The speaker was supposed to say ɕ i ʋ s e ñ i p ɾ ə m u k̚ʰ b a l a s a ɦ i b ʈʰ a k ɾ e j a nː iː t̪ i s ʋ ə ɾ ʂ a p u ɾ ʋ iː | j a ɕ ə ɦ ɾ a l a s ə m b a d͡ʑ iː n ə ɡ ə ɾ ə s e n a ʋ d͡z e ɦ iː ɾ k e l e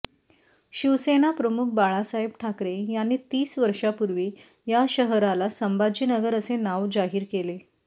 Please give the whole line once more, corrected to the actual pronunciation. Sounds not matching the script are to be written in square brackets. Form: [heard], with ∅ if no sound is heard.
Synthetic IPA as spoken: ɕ i ʋ s e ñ [a] p ɾ ə m u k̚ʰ b a [ɭ] a s a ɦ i b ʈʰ a k ɾ e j a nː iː t̪ [iː] s ʋ ə ɾ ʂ a p u ɾ ʋ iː | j a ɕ ə ɦ ɾ a l a s ə m b a d͡ʑ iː n ə ɡ ə ɾ ə s e n a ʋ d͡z [a] ɦ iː ɾ k e l e